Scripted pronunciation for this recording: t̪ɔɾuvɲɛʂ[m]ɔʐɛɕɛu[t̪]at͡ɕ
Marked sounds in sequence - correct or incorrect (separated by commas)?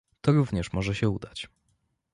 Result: correct, incorrect